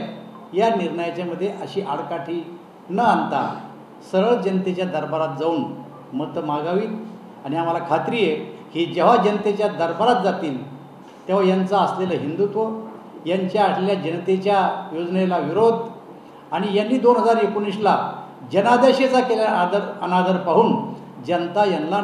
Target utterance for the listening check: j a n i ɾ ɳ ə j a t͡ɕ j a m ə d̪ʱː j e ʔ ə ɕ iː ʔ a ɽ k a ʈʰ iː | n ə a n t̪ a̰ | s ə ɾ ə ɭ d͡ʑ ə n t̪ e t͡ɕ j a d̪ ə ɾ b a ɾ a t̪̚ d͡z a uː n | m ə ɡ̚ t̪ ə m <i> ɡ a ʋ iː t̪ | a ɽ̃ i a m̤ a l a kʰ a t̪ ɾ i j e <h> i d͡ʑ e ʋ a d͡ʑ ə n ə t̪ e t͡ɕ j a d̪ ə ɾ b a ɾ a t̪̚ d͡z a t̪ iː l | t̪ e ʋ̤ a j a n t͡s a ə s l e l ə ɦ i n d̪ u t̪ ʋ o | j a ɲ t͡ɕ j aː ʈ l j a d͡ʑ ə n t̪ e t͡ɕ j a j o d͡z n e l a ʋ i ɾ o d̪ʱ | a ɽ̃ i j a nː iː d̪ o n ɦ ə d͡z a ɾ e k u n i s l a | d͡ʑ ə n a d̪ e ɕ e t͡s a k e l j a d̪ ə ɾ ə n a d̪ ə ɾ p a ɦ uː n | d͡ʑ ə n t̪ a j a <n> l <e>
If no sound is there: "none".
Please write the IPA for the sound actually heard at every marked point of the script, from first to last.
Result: a, h, n, a

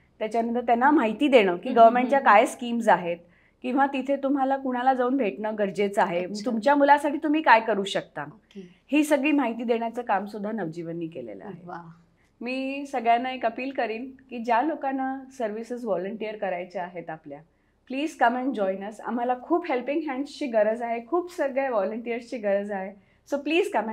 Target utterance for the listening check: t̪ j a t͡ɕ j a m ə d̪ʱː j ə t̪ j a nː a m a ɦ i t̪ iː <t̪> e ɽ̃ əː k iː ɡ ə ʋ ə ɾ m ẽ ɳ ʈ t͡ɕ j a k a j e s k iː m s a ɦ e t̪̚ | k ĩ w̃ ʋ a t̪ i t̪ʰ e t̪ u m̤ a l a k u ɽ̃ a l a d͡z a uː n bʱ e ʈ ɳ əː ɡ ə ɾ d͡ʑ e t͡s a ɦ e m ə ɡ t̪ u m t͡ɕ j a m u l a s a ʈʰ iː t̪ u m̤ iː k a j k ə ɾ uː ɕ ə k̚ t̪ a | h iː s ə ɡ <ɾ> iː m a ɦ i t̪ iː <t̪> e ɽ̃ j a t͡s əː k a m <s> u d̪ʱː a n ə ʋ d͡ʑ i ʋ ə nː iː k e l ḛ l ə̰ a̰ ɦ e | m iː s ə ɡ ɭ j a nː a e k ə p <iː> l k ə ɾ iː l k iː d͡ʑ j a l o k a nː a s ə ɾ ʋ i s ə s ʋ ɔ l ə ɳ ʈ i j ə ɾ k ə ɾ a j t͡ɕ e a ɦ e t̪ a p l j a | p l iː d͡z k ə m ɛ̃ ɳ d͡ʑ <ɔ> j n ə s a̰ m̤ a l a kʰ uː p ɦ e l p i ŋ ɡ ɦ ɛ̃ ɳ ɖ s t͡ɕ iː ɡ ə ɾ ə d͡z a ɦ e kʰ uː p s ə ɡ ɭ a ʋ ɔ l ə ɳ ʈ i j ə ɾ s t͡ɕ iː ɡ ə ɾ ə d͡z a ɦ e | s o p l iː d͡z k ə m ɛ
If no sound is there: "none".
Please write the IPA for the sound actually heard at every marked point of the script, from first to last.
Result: d̪, ɭ, d̪, s, iː, ɔ

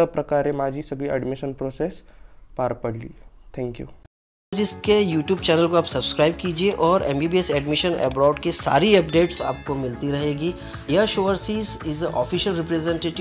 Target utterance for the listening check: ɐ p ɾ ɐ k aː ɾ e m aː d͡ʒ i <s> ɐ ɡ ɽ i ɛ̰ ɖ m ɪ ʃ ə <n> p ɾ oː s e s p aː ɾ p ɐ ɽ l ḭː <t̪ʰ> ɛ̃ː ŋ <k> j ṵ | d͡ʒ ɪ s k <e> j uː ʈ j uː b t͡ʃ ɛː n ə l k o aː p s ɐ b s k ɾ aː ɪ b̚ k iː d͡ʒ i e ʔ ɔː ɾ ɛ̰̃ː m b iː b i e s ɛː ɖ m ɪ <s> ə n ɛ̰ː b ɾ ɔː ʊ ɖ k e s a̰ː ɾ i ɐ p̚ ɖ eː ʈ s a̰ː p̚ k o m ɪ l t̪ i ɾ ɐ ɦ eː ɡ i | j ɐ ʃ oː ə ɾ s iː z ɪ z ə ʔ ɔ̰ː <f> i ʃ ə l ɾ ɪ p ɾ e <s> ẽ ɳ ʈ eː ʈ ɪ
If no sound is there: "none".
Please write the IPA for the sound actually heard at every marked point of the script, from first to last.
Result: s, n, t̪ʰ, k, e, ʃ, f, z

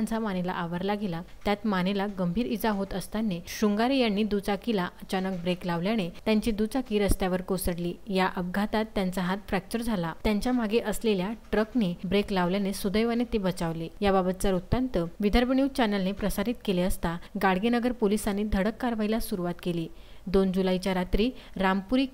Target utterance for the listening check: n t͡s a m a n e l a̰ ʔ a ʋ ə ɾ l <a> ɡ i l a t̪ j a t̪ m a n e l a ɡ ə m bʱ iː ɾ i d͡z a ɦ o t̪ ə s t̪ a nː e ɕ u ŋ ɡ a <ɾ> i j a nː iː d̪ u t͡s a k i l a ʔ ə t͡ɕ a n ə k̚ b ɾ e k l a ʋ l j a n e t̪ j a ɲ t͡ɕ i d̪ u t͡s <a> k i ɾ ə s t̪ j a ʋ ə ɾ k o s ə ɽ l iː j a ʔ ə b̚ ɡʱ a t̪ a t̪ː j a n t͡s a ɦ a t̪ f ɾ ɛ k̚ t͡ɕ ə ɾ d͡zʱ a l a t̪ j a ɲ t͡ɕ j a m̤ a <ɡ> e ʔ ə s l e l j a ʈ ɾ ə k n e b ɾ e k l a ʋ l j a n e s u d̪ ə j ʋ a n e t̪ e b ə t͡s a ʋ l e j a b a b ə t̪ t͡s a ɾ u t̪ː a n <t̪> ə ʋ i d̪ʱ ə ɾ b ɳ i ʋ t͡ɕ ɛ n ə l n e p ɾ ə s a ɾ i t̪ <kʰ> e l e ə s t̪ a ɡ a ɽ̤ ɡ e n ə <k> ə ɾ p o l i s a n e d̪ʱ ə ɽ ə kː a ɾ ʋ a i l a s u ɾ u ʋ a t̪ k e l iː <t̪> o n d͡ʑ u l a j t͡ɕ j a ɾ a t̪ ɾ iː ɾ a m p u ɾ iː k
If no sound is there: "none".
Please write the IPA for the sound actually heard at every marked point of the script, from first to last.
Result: a, ɾ, a, ɡ, t̪, k, ɡ, d̪

